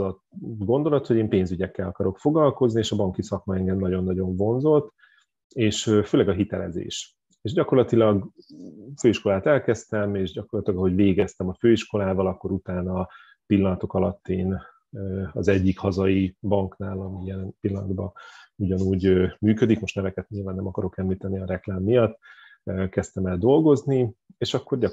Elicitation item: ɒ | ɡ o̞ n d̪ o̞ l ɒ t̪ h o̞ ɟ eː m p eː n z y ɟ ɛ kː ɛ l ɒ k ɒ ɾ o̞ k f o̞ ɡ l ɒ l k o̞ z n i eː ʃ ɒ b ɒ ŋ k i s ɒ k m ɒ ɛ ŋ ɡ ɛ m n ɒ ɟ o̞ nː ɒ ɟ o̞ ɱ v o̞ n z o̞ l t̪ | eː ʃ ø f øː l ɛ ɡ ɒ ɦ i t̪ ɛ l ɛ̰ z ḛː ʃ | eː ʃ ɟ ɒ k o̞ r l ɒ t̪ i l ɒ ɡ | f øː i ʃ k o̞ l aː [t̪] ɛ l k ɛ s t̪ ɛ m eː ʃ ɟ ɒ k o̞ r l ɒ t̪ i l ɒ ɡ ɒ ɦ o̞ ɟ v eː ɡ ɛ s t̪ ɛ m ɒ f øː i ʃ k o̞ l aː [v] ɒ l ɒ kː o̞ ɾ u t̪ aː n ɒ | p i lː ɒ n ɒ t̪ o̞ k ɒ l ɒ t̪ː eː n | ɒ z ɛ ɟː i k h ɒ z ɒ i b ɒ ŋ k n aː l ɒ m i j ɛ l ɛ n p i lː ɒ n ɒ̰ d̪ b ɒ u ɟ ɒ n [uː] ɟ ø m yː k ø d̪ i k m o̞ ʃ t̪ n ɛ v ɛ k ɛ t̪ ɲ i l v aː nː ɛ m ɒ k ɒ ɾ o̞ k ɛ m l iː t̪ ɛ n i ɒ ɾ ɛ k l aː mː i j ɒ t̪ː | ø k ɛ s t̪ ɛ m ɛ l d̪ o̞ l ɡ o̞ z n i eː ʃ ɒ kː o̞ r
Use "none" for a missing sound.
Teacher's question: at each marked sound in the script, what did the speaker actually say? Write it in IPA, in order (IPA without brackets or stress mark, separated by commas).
t̪, v, uː